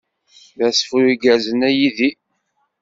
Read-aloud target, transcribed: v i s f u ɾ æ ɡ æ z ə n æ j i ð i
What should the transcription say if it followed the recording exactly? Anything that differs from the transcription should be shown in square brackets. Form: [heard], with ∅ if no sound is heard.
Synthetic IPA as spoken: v [æ] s f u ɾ [i] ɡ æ z ə n æ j i ð i